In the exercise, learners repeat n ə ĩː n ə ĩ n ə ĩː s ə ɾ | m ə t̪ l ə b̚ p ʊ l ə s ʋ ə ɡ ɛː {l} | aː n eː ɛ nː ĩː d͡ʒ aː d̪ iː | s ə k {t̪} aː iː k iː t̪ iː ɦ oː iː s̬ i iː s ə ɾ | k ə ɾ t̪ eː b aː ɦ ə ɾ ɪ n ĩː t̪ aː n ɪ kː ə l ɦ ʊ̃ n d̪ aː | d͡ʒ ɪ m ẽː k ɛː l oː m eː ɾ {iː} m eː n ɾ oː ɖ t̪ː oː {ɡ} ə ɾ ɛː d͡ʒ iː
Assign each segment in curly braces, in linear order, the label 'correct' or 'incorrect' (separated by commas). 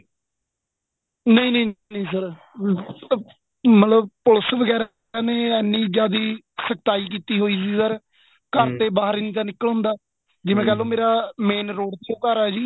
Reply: incorrect, correct, incorrect, incorrect